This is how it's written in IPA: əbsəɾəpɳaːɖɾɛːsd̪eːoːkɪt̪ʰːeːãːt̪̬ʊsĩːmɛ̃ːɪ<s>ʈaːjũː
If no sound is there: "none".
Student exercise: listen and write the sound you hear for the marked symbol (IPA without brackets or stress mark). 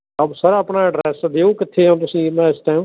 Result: s